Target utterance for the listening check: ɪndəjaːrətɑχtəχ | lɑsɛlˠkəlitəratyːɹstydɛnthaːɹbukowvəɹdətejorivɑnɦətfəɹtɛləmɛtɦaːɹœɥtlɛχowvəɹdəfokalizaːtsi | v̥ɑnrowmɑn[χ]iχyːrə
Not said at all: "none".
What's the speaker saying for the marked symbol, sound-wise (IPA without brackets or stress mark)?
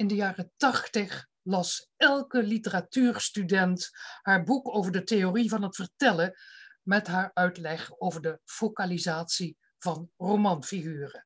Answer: f